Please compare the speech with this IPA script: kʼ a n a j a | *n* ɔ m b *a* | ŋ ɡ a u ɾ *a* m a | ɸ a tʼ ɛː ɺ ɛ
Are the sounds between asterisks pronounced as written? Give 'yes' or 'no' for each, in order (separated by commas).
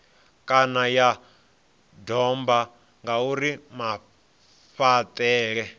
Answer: no, yes, no